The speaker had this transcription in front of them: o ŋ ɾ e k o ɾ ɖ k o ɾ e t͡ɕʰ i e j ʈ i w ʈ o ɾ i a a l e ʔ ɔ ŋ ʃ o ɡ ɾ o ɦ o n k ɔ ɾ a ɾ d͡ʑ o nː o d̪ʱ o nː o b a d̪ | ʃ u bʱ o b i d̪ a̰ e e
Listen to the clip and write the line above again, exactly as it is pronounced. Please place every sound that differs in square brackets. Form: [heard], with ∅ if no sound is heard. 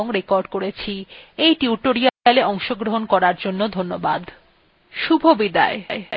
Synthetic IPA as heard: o ŋ ɾ e k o ɾ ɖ k o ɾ e t͡ɕʰ i e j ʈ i [u] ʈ o ɾ i a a l e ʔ ɔ ŋ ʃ o ɡ ɾ o ɦ o n k ɔ ɾ a ɾ d͡ʑ o nː o d̪ʱ o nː o b a d̪ | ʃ u bʱ o b i d̪ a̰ e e